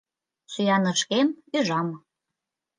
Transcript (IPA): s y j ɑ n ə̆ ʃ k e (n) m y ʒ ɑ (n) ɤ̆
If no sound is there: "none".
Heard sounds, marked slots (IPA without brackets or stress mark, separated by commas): none, m